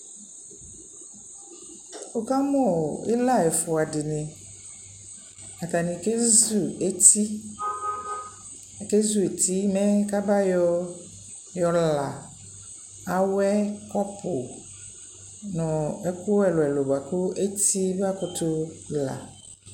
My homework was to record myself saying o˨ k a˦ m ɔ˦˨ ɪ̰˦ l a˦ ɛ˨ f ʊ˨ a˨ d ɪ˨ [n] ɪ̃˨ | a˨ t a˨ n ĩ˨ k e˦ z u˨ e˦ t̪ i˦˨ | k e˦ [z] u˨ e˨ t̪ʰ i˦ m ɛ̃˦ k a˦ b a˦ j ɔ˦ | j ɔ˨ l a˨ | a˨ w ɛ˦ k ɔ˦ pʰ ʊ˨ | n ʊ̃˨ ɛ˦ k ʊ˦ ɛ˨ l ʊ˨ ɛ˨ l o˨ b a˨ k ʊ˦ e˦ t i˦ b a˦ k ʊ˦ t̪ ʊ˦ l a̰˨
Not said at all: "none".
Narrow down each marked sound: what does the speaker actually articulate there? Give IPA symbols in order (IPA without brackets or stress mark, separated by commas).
n, z